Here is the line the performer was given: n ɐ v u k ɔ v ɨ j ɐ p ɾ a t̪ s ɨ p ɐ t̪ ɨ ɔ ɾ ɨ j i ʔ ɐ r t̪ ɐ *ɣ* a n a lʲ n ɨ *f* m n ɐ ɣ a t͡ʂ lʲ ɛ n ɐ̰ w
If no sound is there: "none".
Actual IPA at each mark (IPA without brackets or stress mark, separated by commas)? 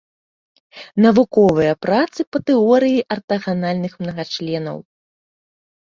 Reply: ɣ, x